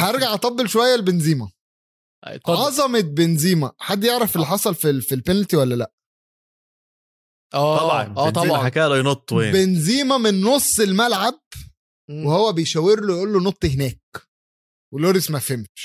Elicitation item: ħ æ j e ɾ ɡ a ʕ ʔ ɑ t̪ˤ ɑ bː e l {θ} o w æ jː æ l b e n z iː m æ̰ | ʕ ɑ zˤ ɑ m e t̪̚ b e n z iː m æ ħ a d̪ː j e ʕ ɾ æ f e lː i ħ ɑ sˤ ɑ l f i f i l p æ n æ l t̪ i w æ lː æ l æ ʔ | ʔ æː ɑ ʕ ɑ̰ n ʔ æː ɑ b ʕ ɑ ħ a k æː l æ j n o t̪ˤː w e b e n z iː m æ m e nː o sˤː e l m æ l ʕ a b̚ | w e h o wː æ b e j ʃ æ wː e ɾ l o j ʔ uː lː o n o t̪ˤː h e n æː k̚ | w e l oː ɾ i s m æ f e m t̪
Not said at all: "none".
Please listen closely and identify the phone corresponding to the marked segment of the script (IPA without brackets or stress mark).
ʃ